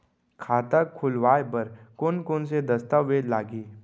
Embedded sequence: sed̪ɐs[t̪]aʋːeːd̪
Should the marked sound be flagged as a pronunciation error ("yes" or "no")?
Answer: no